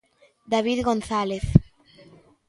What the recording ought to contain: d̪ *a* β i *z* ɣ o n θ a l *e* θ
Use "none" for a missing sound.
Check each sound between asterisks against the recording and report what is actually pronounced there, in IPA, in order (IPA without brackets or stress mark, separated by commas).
a, ð, e